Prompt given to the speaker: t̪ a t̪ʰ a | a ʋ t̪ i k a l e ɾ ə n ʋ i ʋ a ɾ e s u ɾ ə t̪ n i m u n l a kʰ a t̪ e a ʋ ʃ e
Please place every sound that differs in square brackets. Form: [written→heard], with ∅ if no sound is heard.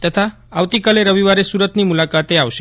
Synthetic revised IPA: t̪ [a→ə] t̪ʰ a | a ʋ t̪ i k a l e ɾ ə [n→∅] ʋ i ʋ a ɾ e s u ɾ ə t̪ n i m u [n→∅] l a [kʰ→k] a t̪ e a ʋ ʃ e